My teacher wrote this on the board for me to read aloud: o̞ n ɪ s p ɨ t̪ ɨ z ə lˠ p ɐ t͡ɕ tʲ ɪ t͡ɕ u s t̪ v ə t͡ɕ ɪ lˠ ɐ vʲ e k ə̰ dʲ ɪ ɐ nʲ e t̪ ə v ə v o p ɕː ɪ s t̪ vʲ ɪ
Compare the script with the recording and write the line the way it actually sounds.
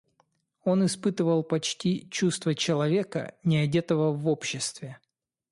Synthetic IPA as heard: o̞ n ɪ s p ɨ t̪ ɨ v ə lˠ p ɐ t͡ɕ tʲ i t͡ɕ u s t̪ v ə t͡ɕ ɪ lˠ ɐ vʲ e k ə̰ nʲ ɪ ɐ dʲ e t̪ ə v ə v o p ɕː ɪ s t̪ vʲ ɪ